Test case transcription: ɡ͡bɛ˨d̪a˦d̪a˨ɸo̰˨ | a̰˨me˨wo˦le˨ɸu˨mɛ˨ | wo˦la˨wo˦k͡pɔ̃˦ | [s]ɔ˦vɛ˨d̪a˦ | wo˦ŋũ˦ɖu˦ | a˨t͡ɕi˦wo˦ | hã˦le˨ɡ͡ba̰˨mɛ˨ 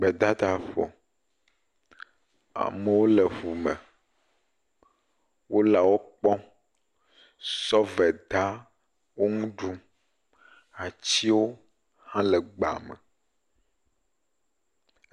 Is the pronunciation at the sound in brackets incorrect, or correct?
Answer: correct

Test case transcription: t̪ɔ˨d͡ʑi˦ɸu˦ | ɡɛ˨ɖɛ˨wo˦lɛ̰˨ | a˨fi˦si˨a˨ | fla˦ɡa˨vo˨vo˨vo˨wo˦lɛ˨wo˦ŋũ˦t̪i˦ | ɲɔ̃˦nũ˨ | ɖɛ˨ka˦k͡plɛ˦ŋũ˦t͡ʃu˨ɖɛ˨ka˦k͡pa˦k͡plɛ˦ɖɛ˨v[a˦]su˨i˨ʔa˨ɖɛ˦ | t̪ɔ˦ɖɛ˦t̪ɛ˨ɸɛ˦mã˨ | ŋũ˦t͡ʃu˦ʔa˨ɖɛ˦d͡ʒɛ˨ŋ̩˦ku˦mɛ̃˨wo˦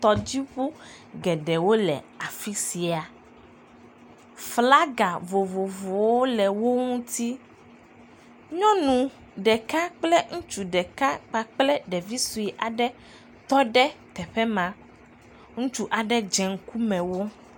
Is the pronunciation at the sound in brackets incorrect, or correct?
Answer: incorrect: i˦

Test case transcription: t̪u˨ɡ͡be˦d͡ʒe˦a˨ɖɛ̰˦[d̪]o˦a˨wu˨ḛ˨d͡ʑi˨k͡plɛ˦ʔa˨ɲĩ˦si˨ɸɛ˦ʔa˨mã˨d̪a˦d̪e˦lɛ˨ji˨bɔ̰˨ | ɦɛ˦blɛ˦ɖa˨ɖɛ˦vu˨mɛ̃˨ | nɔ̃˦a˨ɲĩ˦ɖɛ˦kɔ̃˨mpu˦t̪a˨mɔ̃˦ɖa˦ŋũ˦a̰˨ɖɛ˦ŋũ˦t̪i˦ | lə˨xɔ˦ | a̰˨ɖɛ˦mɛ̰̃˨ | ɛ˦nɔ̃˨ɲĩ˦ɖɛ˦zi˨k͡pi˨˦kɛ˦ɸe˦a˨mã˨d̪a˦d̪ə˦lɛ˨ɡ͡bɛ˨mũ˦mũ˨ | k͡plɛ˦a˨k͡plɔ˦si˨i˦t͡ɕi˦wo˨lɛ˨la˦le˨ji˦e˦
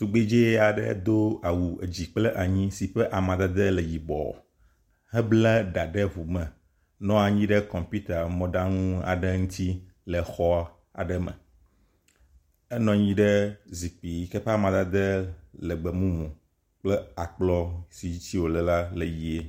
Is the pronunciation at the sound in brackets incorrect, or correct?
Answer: correct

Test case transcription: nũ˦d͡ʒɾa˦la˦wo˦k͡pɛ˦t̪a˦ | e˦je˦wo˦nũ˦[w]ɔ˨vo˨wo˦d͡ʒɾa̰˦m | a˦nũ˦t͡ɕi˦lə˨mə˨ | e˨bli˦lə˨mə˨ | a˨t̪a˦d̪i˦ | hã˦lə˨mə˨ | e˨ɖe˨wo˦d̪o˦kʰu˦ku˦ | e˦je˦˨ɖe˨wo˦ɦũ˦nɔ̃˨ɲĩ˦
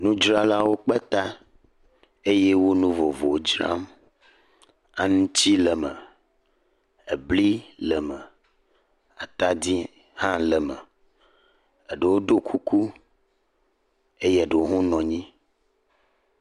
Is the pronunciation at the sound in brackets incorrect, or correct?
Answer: incorrect: v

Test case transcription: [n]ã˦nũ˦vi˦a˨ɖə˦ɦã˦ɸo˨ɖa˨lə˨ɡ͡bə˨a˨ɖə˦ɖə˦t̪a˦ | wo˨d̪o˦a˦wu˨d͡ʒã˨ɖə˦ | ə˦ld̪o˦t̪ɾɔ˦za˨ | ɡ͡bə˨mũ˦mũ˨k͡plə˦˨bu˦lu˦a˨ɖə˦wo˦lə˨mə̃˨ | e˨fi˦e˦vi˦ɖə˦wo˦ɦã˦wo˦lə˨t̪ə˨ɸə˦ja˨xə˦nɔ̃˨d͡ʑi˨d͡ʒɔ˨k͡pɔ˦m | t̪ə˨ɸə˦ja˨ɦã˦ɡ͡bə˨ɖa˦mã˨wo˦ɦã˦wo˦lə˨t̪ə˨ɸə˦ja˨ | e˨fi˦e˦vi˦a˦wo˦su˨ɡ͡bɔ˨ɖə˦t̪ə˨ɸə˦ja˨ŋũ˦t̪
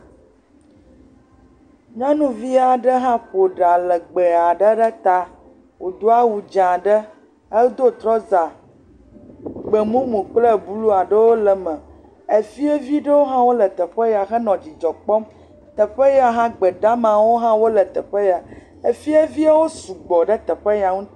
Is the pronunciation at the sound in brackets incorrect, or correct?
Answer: incorrect: ɲ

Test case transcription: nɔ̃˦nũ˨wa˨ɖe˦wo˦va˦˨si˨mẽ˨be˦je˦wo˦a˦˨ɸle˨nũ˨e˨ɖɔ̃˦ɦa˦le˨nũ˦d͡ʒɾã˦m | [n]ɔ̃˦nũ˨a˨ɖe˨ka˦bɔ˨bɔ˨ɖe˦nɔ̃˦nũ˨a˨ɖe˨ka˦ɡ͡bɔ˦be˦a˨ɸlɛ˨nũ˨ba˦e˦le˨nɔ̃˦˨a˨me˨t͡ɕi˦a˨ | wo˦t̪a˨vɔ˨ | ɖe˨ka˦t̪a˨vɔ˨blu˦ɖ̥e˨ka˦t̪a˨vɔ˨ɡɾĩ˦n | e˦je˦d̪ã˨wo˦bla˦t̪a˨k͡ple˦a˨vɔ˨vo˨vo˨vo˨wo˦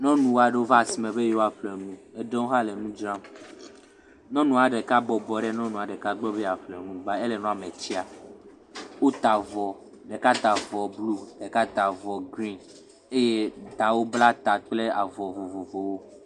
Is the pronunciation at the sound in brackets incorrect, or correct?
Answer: correct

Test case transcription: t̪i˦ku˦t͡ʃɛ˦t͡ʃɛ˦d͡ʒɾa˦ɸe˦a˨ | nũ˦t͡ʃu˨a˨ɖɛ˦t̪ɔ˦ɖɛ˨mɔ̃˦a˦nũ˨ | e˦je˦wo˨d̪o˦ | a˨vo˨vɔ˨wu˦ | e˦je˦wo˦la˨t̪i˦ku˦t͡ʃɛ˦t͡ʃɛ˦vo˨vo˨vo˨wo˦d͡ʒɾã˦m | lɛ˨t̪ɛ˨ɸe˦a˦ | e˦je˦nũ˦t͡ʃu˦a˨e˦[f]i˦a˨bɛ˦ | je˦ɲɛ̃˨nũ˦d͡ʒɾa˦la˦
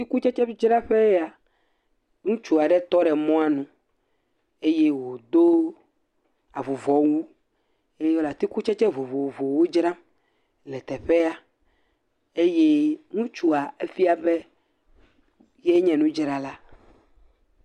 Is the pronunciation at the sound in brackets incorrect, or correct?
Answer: correct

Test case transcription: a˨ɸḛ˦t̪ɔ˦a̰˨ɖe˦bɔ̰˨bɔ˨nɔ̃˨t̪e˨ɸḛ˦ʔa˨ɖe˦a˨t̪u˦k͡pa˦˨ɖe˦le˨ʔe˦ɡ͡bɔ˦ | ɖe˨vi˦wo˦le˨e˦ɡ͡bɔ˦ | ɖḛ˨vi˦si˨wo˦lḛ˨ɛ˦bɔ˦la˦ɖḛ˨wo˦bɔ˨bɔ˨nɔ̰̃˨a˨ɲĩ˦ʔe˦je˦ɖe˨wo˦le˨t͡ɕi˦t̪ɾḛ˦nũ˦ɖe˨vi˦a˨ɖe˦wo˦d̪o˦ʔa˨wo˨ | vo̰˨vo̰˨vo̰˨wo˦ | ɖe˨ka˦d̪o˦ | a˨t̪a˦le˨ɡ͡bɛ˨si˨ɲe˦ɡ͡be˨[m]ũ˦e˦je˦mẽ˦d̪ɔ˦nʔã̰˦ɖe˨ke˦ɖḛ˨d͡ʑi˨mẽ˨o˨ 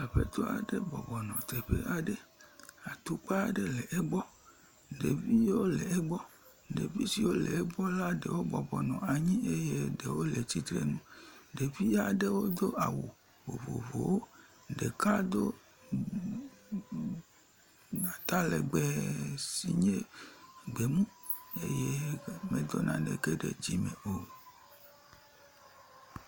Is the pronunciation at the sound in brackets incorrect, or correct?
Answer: correct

